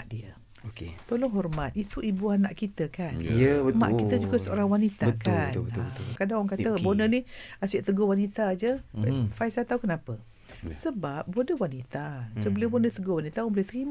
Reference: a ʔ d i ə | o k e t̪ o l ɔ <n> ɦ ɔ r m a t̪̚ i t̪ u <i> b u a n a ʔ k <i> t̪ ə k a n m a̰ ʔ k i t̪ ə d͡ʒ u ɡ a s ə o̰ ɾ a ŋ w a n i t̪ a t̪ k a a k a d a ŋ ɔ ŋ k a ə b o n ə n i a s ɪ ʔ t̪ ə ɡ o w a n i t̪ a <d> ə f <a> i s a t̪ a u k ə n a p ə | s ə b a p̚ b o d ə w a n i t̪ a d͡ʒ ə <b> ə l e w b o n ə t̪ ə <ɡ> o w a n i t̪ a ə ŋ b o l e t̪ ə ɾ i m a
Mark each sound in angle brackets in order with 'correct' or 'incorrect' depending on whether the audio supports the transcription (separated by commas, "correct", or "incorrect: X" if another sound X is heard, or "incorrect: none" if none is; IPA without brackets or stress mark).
incorrect: ŋ, correct, correct, incorrect: d͡ʒ, correct, correct, correct